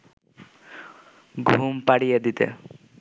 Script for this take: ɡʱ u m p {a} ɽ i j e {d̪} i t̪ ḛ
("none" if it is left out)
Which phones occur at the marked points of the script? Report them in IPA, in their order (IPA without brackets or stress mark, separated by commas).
a, d̪